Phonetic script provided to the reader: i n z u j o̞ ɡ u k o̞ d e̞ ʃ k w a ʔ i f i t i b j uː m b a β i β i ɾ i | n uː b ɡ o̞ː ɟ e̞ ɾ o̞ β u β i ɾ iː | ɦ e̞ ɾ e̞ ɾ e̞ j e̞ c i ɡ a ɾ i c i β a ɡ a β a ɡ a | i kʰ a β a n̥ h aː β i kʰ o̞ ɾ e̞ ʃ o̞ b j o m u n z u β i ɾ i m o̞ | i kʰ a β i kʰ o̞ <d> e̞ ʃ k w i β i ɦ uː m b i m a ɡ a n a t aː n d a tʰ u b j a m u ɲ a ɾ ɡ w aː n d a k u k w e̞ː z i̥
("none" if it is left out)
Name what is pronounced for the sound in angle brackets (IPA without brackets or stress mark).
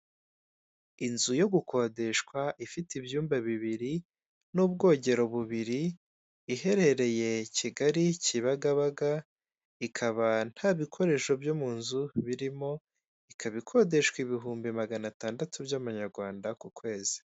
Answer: d